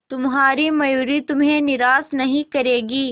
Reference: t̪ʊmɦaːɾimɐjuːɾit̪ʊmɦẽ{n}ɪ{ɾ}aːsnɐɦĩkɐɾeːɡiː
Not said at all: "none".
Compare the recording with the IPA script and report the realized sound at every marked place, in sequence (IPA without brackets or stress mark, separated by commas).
n, ɾ